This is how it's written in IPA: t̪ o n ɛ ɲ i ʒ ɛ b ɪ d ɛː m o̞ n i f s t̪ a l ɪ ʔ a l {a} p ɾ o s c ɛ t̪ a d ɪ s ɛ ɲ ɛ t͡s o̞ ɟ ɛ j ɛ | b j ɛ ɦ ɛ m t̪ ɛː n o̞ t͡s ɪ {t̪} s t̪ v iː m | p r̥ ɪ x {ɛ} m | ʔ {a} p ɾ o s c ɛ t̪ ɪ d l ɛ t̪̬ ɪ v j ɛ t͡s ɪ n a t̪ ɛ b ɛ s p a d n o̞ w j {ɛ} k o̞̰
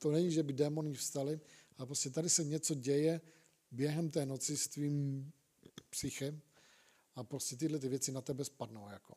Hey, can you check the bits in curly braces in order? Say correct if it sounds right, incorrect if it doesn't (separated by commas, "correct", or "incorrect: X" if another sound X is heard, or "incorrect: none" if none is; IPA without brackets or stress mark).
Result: incorrect: ɛ, incorrect: none, correct, correct, incorrect: a